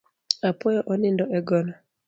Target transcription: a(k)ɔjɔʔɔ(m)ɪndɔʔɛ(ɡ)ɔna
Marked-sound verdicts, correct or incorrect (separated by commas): incorrect, incorrect, correct